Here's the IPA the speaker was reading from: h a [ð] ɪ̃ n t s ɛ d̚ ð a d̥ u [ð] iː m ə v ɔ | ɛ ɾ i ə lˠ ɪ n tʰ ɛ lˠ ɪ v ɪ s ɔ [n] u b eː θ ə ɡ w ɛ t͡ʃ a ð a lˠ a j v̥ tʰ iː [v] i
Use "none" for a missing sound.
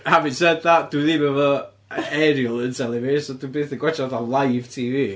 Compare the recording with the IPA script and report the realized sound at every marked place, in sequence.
v, ð, d, v

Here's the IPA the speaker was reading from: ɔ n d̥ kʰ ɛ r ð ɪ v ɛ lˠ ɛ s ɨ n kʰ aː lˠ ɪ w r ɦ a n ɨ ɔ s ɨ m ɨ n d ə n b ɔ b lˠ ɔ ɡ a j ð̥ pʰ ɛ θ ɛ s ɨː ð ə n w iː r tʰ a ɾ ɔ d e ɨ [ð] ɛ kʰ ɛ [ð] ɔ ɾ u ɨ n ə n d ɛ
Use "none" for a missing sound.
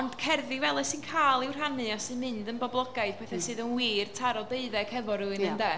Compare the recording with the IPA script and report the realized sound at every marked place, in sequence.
ð, v

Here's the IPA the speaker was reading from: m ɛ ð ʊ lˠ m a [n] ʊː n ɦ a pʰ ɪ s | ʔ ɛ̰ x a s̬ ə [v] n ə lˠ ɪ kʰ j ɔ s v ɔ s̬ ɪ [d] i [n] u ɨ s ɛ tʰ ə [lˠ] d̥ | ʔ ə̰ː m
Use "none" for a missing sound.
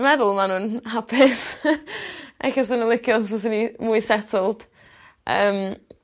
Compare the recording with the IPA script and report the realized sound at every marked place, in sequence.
n, none, n, m, lˠ

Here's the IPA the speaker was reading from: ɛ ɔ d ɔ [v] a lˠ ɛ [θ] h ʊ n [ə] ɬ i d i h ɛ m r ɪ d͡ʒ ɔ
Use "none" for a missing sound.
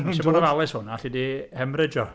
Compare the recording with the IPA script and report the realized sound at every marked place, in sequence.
v, s, a

